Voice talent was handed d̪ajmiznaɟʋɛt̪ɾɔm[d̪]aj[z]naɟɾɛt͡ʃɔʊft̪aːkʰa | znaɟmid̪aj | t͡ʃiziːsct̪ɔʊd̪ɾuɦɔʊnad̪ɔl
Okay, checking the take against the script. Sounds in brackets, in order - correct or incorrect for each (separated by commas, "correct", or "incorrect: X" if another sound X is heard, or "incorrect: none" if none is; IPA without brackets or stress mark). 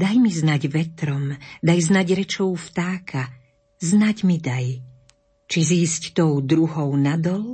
correct, correct